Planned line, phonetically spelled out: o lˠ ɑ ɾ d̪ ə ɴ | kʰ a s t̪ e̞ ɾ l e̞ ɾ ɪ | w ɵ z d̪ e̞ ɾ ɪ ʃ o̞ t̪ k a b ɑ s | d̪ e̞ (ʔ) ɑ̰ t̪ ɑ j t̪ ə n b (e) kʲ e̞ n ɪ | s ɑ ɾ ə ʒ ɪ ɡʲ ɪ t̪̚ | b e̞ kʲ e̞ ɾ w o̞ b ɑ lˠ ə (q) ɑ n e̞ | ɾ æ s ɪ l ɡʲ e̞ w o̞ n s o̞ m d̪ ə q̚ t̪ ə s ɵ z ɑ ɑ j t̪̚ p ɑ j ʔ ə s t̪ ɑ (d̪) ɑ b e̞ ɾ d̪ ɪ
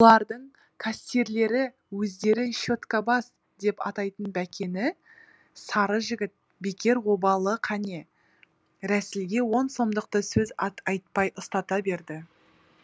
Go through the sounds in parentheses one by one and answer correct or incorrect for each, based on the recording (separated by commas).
incorrect, incorrect, incorrect, incorrect